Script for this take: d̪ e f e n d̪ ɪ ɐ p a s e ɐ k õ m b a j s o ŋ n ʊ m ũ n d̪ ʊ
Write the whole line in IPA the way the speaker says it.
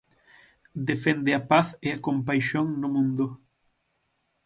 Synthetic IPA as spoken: d̪ e f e n d̪ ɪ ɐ p a θ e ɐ k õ m p a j ʃ o ŋ n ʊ m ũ n d̪ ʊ